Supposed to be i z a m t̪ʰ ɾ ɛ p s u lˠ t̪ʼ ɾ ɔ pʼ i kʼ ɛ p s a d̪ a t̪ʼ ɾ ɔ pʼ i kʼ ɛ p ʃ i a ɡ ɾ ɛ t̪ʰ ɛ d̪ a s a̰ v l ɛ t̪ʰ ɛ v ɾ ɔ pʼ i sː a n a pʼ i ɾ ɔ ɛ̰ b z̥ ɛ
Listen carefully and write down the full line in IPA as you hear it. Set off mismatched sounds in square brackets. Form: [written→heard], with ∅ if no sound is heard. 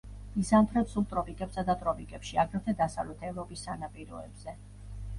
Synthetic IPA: i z a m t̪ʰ ɾ ɛ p s u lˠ t̪ʼ ɾ ɔ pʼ i kʼ ɛ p s a d̪ a t̪ʼ ɾ ɔ pʼ i kʼ ɛ p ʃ i a ɡ ɾ ɛ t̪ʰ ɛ d̪ a s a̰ v l ɛ t̪ʰ ɛ v ɾ ɔ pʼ i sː a n a pʼ i ɾ ɔ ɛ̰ b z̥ ɛ